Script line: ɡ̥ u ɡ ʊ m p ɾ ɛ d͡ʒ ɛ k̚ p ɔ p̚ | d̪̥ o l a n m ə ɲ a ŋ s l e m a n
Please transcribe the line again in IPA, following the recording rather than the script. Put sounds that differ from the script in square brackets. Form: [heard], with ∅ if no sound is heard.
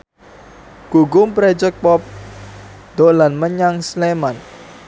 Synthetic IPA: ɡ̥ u ɡ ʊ m p ɾ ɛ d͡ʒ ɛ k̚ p ɔ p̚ | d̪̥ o l a n m ə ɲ a ŋ s l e m a n